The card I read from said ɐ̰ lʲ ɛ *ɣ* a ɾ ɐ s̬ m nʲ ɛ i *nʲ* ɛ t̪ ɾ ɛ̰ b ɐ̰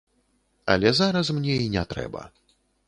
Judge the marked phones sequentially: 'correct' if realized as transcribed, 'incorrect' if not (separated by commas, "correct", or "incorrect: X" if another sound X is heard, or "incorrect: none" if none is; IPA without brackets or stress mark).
incorrect: z, correct